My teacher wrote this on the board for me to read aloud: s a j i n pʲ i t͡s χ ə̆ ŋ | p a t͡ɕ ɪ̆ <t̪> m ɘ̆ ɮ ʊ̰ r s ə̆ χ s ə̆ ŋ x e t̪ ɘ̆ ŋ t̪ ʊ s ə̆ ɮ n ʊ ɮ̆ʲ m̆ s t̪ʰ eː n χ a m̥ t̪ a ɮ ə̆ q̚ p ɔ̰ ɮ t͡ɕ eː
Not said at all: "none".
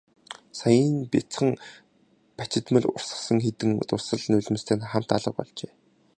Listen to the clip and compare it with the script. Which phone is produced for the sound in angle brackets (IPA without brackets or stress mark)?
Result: t̪